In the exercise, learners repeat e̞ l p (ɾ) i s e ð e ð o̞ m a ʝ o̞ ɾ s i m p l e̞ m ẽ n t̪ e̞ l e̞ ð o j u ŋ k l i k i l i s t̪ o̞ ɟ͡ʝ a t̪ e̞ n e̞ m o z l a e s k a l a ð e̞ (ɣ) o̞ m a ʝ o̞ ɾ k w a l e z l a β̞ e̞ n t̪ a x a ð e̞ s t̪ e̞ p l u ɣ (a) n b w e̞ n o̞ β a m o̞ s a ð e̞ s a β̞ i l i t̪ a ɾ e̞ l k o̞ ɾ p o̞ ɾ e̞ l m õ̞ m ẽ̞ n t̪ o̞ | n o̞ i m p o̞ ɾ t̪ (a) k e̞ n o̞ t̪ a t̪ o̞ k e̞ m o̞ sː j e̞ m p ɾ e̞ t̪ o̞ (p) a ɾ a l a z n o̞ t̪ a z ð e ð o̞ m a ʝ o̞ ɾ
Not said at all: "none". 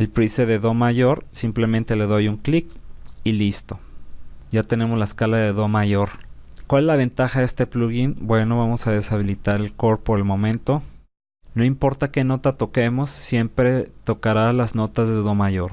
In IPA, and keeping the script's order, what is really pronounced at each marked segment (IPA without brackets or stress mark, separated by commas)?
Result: ɾ, ð, i, a, k